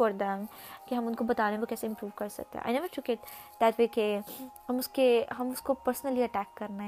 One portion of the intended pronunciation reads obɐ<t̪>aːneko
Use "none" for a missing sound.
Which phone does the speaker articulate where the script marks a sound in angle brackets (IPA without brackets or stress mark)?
t̪